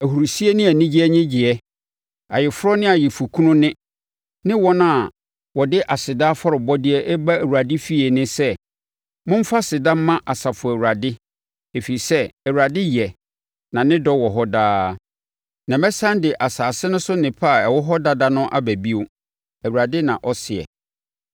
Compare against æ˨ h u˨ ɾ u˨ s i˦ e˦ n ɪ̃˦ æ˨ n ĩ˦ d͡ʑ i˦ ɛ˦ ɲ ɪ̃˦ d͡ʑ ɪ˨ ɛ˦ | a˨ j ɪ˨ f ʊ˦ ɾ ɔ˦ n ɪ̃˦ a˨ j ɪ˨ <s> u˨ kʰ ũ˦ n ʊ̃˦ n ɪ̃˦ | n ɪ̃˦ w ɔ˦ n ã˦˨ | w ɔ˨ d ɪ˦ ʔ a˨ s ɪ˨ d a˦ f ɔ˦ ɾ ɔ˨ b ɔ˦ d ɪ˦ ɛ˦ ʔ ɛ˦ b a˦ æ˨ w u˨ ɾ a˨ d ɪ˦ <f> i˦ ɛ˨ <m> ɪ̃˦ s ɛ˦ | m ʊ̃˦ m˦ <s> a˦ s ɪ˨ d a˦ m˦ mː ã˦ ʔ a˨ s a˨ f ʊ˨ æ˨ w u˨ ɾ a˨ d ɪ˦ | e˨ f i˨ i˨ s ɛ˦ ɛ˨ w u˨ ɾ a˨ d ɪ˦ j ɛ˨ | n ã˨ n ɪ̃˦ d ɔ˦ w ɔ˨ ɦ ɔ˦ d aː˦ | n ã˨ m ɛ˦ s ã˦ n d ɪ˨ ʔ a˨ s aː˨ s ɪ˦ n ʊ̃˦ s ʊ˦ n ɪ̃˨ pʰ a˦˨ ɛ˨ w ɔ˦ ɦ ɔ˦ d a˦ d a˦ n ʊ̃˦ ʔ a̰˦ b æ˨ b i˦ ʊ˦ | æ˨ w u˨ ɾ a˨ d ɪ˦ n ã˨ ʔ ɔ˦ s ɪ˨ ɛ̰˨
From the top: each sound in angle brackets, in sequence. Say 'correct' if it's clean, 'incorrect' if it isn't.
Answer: incorrect: f, correct, incorrect: n, incorrect: f

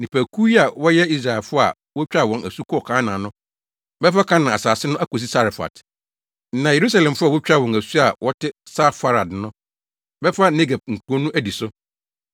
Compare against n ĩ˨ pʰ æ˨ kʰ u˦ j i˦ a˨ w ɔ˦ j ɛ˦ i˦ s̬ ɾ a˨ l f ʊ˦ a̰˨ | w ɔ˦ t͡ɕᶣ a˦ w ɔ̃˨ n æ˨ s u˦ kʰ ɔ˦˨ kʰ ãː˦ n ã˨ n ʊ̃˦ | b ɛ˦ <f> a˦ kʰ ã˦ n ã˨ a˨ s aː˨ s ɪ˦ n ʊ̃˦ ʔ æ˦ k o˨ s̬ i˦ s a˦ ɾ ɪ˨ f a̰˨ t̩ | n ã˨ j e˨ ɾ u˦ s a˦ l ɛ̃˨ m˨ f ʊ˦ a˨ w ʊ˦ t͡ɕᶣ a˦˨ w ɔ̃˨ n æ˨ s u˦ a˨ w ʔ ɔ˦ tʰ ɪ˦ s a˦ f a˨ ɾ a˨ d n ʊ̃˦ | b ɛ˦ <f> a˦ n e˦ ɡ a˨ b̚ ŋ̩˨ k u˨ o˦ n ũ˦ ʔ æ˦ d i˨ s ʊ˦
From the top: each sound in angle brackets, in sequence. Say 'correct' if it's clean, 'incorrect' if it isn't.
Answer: correct, correct

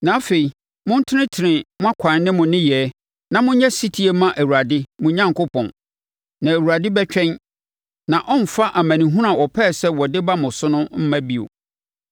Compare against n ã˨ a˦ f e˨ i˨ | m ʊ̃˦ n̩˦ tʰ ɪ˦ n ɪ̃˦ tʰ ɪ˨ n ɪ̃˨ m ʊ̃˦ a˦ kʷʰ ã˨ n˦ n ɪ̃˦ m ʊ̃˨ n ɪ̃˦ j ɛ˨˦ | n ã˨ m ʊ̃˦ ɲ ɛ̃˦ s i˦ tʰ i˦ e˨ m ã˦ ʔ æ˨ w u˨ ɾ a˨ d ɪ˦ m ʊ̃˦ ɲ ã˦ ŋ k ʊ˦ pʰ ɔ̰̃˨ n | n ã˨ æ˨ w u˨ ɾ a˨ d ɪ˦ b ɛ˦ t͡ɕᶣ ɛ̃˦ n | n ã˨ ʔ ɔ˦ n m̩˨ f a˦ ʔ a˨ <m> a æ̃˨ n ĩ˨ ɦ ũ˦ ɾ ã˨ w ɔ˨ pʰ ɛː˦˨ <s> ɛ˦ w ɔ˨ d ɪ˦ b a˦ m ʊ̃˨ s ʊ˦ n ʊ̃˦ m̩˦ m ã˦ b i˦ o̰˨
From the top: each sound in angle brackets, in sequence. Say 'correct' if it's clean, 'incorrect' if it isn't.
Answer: correct, correct

